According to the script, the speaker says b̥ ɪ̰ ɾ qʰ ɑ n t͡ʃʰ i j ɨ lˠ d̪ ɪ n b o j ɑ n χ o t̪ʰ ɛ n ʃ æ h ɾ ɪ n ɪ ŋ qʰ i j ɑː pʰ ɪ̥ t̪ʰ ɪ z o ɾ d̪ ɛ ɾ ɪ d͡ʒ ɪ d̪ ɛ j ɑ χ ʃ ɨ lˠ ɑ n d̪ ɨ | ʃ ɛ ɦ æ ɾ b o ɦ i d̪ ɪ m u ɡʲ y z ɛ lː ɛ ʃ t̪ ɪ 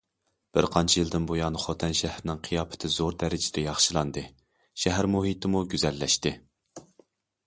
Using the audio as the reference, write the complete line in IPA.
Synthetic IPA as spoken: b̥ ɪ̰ ɾ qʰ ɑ n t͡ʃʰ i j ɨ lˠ d̪ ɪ n b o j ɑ n χ o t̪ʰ ɛ n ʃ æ h ɾ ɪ n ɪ ŋ qʰ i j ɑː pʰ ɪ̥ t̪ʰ ɪ z o ɾ d̪ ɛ ɾ ɪ d͡ʒ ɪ d̪ ɛ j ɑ χ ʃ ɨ lˠ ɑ n d̪ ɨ | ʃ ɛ ɦ æ ɾ m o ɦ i t̪ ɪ m u ɡʲ y z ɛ lː ɛ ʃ t̪ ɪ